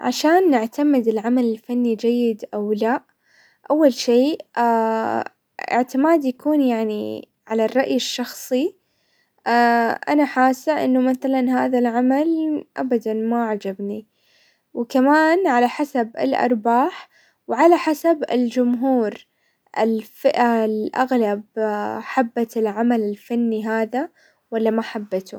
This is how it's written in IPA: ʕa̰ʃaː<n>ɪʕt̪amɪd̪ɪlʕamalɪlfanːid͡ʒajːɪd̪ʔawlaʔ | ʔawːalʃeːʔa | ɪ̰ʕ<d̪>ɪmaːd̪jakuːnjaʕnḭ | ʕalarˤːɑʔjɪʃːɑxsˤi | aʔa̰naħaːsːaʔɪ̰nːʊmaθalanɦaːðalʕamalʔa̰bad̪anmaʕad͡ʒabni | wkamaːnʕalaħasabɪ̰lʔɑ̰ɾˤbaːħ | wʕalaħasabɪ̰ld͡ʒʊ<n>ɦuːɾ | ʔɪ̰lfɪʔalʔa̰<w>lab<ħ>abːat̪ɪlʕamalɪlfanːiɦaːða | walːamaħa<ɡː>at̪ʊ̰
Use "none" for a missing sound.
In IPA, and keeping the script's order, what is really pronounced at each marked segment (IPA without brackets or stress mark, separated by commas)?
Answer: nː, t̪, m, ɣ, ħ, bː